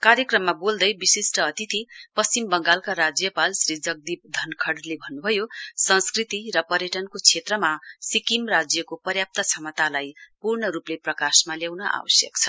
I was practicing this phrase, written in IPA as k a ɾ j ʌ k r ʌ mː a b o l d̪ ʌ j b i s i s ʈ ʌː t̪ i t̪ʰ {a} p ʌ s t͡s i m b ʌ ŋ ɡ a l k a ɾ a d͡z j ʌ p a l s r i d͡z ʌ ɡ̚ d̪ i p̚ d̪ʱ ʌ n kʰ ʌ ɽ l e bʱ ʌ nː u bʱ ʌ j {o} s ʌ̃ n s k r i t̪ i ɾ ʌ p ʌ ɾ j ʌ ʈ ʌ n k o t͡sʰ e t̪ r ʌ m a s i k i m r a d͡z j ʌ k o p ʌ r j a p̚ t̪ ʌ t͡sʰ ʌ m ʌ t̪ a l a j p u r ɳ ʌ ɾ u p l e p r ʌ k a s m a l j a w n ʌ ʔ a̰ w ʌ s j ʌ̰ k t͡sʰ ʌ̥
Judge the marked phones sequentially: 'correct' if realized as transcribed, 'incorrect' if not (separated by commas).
incorrect, correct